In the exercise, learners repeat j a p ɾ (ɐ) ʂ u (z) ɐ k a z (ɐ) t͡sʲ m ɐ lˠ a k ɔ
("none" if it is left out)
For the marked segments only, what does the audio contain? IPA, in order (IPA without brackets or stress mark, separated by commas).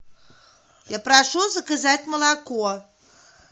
a, z, a